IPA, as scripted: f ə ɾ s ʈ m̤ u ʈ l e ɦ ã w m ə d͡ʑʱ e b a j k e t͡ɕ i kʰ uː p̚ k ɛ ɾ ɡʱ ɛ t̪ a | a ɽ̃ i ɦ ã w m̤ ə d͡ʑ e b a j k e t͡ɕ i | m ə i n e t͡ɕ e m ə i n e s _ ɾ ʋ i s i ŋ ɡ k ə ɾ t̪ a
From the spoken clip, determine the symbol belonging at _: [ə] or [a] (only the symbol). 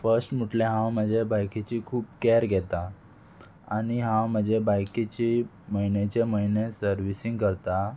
ə